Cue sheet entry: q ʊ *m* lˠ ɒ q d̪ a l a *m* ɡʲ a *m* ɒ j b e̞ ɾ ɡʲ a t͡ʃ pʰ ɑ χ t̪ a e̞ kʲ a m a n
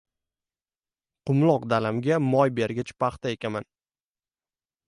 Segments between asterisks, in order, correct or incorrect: correct, correct, correct

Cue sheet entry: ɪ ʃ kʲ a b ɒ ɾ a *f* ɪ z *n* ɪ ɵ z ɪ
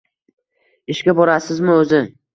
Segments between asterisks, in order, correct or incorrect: incorrect: s, incorrect: m

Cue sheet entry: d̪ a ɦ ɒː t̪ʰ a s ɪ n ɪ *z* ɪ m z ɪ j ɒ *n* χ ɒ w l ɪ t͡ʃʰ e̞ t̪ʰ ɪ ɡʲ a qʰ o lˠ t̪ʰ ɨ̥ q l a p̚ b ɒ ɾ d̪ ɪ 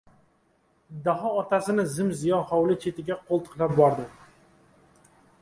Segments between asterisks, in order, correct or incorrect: correct, correct

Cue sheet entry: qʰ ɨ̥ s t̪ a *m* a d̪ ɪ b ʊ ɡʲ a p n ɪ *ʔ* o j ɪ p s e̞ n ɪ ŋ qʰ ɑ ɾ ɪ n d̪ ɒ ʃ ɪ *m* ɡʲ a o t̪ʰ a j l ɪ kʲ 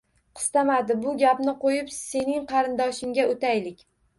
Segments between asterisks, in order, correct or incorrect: correct, incorrect: q, incorrect: ŋ

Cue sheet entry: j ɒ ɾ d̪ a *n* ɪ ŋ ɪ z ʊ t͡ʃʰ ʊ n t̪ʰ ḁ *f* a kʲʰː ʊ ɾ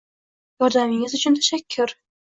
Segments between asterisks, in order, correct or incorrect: incorrect: m, incorrect: ʃ

